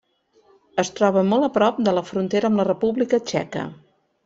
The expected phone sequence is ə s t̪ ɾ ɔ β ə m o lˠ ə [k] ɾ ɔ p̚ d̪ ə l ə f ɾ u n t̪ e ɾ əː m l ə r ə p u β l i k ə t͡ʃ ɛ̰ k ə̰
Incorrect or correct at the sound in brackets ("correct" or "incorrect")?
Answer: incorrect